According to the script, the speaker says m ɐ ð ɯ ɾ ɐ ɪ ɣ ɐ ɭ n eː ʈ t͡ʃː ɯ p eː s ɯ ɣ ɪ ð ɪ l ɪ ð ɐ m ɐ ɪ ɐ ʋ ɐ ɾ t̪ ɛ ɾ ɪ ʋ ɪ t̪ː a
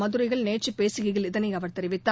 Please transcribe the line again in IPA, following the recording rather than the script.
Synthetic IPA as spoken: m ɐ ð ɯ ɾ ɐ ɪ ɣ ɐ ɭ n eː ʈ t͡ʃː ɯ p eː s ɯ ɣ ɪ ɣ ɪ l ɪ ð ɐ n ɐ ɪ ɐ ʋ ɐ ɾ t̪ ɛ ɾ ɪ ʋ ɪ t̪ː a